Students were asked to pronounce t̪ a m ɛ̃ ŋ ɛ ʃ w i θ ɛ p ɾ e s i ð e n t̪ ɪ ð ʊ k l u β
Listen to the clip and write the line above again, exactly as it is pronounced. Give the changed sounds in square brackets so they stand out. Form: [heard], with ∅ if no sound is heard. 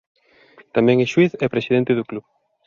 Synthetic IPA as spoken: t̪ a m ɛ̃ ŋ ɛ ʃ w i θ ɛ p ɾ e s i ð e n t̪ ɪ ð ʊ k l u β